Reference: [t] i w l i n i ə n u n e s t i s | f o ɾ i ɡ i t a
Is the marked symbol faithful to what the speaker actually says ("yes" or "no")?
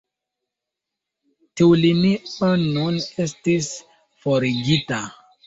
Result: yes